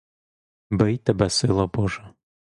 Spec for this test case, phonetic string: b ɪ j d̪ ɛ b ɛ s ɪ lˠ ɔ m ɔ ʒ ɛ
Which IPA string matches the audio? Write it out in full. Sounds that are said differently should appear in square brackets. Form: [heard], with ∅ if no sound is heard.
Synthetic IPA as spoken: b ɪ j [t̪] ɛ b ɛ s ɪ lˠ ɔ [b] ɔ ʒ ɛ